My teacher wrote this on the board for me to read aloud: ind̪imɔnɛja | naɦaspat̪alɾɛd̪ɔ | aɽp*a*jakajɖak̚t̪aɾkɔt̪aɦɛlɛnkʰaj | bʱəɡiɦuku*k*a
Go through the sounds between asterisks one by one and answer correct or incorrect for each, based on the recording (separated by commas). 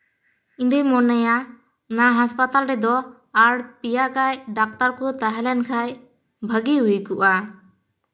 incorrect, incorrect